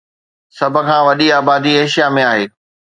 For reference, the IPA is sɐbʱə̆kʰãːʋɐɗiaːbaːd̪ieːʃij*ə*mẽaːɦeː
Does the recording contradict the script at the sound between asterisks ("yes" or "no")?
yes